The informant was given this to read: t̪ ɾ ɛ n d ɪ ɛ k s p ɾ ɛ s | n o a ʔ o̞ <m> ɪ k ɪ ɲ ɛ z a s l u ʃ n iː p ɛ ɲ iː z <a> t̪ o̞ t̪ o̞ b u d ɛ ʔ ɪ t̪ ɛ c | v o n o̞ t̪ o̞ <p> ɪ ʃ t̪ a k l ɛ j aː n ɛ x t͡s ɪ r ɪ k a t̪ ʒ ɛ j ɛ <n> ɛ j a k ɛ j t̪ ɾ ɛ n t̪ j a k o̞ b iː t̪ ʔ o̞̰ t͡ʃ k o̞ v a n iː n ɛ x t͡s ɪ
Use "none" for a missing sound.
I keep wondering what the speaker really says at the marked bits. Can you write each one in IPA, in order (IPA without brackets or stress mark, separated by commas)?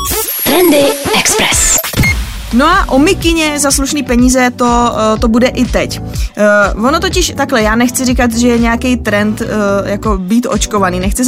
m, ɛ, c, ɲ